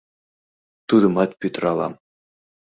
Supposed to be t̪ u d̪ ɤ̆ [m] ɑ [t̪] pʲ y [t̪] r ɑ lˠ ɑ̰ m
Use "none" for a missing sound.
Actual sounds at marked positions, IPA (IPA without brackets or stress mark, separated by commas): m, t̪, t̪